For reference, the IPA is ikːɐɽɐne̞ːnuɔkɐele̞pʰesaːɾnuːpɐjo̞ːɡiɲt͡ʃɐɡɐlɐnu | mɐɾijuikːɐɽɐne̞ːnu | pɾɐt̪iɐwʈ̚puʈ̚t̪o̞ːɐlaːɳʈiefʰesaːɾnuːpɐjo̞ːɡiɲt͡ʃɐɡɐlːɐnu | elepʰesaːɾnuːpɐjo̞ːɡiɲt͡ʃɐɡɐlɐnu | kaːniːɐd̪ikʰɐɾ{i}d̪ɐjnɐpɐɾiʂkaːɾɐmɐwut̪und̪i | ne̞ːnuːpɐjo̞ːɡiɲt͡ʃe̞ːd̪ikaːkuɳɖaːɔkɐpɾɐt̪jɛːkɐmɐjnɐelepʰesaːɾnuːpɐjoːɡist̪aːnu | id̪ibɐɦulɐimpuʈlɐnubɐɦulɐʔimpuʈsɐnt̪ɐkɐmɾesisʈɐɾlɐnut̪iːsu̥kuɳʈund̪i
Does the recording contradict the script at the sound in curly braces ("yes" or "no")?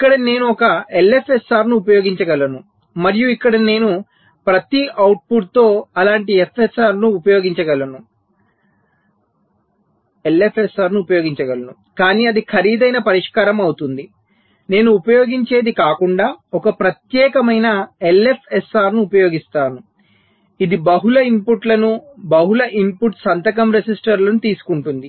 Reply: yes